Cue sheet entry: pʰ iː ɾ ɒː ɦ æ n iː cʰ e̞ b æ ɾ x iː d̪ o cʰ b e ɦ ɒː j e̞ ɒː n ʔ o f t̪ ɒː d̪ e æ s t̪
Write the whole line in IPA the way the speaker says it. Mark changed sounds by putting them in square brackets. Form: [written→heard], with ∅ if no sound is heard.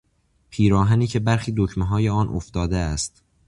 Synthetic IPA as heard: pʰ iː ɾ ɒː ɦ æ n iː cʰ e̞ b æ ɾ x iː d̪ o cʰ [b→m] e ɦ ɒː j e̞ ɒː n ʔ o f t̪ ɒː d̪ e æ s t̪